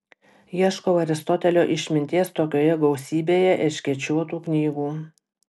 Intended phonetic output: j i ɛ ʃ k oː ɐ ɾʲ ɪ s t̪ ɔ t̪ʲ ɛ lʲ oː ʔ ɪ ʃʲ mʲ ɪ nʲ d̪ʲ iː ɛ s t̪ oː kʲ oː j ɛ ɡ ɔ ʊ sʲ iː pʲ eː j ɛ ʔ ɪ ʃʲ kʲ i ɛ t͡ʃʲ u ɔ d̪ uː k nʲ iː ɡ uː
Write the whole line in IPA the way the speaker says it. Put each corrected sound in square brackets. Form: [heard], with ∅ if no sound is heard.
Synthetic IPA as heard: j i ɛ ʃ k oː ɐ ɾʲ ɪ s t̪ ɔ t̪ʲ ɛ lʲ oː ʔ ɪ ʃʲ mʲ ɪ nʲ [t̪ʲ] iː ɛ s t̪ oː kʲ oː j ɛ ɡ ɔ ʊ sʲ iː [bʲ] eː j ɛ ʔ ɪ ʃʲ kʲ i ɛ t͡ʃʲ u ɔ [t̪] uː k nʲ iː ɡ uː

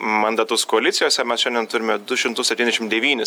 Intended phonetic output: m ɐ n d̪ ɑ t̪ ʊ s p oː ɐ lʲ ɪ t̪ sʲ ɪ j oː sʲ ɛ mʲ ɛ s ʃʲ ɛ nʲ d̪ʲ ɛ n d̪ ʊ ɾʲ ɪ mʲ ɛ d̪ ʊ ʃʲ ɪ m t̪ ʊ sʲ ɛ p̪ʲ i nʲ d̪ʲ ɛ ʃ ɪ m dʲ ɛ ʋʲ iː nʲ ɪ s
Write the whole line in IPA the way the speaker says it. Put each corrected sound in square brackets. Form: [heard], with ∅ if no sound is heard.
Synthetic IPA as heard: m ɐ n d̪ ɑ t̪ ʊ s [k] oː ɐ lʲ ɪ t̪ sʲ ɪ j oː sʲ ɛ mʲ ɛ s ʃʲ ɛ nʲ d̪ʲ ɛ n [t̪] ʊ ɾʲ ɪ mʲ ɛ d̪ ʊ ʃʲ ɪ m t̪ ʊ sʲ ɛ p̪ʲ i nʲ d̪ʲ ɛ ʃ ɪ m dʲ ɛ ʋʲ iː nʲ ɪ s

